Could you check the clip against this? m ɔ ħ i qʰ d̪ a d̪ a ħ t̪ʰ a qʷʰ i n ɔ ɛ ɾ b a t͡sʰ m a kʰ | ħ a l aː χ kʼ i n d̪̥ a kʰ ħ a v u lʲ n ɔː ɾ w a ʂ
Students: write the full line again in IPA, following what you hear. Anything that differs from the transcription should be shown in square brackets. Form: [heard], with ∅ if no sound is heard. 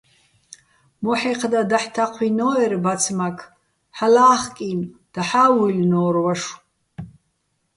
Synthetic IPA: m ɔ ħ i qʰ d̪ a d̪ a ħ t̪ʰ a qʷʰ i n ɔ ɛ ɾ b a t͡sʰ m a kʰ | ħ a l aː χ kʼ i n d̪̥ a [∅] ħ a [w] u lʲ n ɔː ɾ w a ʂ